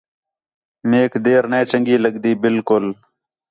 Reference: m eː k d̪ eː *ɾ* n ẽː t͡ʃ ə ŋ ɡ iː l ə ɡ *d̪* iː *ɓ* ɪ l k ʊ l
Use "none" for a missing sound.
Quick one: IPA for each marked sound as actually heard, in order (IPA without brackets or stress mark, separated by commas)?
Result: ɾ, d̪, b